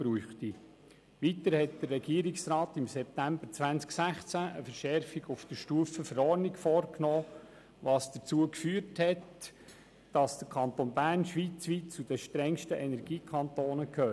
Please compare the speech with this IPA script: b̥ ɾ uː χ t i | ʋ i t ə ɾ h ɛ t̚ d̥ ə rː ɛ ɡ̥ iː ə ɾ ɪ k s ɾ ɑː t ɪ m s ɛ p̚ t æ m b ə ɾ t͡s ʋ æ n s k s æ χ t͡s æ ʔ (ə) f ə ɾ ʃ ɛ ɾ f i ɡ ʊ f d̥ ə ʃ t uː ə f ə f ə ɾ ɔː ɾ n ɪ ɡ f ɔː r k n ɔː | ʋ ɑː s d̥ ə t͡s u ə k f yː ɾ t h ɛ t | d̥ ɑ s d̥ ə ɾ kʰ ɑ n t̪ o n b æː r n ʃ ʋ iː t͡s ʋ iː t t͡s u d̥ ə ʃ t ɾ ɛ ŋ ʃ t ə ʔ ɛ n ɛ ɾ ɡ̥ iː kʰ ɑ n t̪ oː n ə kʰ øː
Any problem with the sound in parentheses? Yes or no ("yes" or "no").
no